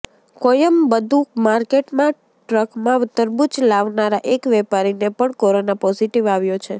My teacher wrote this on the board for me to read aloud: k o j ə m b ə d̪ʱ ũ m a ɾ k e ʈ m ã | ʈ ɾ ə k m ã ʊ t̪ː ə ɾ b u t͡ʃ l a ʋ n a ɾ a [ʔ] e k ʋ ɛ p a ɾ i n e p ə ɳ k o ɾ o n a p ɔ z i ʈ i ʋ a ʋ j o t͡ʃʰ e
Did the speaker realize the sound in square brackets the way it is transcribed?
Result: yes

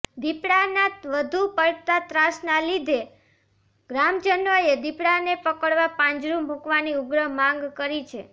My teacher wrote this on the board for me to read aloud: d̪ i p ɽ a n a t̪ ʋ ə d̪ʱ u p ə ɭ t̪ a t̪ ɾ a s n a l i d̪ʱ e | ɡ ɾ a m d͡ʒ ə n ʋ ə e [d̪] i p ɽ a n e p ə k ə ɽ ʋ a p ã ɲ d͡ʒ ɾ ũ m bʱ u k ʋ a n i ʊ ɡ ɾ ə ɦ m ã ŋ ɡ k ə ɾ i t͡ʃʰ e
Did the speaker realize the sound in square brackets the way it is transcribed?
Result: yes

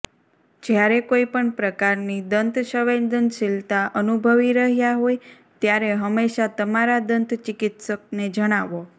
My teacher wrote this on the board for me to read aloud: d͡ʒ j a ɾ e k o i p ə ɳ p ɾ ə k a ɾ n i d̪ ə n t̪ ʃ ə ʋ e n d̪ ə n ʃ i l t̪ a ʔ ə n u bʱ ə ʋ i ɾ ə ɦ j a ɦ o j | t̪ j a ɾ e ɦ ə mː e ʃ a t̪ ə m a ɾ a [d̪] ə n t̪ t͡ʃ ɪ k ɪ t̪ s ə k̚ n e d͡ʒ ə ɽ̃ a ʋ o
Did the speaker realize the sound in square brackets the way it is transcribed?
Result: yes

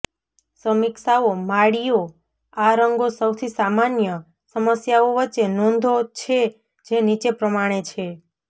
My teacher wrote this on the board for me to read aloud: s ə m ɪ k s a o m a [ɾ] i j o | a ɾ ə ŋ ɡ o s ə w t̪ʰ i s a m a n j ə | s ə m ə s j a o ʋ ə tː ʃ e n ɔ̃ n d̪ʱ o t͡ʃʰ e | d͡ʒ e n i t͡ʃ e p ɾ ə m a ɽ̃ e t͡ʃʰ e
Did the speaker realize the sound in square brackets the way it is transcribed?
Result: no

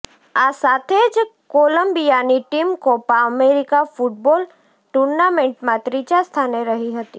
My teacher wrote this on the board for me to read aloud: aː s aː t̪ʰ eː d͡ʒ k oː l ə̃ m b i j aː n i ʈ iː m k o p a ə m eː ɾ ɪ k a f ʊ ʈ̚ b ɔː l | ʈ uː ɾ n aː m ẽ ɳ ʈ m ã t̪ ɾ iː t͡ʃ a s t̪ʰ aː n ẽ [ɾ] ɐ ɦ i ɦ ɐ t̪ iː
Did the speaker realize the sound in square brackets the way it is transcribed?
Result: yes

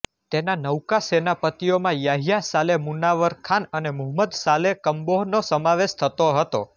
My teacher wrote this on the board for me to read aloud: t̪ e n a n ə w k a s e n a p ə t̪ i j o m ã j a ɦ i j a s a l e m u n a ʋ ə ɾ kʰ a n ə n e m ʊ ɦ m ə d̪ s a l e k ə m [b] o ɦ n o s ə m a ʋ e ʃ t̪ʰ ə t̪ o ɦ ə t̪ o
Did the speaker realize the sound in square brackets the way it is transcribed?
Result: yes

